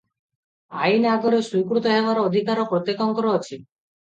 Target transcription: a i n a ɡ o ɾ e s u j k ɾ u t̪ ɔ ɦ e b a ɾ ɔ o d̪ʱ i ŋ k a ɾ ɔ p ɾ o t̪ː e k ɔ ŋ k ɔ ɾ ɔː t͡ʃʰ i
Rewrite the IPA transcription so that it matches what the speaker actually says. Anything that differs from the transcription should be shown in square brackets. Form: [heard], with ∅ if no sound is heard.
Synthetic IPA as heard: a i n a ɡ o ɾ e s u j k ɾ u t̪ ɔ ɦ e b a ɾ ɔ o d̪ʱ i [∅] k a ɾ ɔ p ɾ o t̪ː e k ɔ ŋ k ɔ ɾ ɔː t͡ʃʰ i